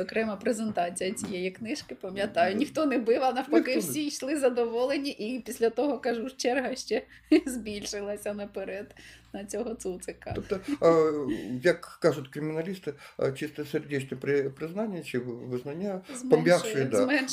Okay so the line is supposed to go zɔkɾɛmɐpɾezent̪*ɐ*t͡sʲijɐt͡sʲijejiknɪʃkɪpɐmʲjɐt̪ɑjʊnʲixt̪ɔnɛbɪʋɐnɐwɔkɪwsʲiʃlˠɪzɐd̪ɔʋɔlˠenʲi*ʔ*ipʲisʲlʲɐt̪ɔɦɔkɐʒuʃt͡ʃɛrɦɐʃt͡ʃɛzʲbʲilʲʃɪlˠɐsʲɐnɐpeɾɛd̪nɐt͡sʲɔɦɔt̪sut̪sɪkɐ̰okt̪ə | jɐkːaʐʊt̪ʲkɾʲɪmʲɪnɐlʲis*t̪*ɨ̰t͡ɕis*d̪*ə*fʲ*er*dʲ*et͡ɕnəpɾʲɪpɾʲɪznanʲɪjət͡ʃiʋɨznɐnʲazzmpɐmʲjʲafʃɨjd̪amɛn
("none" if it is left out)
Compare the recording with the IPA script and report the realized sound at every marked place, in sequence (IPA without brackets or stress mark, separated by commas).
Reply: ɑ, ʔ, t̪, t̪, sʲ, dʲ